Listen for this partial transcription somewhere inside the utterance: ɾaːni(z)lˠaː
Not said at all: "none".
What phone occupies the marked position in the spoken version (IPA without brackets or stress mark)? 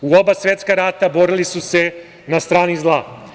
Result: z